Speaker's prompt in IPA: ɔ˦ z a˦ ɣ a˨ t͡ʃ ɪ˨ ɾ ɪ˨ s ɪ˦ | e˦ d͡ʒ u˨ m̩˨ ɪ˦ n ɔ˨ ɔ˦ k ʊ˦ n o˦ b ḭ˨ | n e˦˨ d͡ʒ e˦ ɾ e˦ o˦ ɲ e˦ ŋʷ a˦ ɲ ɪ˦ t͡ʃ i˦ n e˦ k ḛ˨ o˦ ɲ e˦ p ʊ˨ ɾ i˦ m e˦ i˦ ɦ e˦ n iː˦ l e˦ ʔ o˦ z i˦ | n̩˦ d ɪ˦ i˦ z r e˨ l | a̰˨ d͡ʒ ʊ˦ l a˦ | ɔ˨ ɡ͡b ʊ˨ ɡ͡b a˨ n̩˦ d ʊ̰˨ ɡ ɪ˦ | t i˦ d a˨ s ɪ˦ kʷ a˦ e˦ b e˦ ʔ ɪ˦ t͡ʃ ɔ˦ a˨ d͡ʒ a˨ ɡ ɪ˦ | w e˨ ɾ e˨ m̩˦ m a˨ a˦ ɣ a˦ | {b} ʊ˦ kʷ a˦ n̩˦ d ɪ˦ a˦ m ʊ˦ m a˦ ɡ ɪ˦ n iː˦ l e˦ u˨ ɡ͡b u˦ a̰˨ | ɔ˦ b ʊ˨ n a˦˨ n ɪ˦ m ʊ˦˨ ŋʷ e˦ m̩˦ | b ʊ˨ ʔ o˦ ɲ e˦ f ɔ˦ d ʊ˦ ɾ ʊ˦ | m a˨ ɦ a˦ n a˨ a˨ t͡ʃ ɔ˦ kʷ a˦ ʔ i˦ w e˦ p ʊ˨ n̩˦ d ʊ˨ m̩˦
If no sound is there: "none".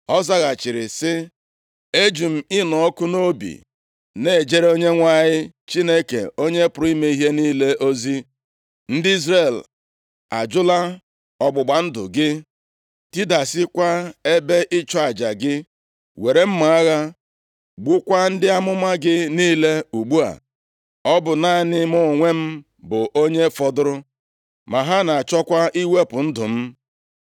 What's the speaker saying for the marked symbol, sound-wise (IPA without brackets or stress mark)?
ɡ͡b